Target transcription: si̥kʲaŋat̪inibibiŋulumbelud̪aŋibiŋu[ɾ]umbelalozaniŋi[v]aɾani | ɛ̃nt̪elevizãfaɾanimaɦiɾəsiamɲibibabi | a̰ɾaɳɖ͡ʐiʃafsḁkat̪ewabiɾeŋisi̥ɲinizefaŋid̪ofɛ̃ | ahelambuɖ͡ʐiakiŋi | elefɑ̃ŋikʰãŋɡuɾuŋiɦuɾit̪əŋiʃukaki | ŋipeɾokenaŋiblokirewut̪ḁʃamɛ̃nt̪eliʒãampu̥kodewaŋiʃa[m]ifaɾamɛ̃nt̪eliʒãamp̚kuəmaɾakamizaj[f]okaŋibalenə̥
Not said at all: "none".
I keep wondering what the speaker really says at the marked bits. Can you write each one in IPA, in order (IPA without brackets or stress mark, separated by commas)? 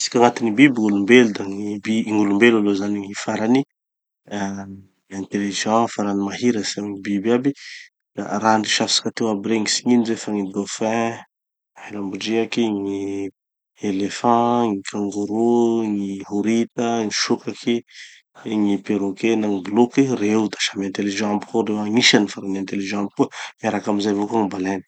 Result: l, f, n, v